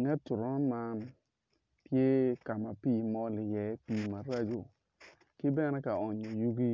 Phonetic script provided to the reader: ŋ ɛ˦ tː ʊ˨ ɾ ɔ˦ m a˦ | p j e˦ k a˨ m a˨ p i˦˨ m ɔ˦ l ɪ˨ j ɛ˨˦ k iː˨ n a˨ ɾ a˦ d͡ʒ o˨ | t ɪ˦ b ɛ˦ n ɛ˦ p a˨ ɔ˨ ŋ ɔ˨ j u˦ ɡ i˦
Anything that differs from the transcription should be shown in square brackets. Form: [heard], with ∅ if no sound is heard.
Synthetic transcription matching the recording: ŋ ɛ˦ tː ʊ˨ ɾ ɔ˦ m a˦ | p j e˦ k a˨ m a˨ p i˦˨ m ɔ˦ l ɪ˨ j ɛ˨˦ [p] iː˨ [m] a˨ ɾ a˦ d͡ʒ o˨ | [k] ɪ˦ b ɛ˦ n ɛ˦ [k] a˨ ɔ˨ [ɲ] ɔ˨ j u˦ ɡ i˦